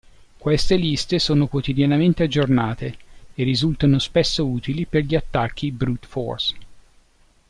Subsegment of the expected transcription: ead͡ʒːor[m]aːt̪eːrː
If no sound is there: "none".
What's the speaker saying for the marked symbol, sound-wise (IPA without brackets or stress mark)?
n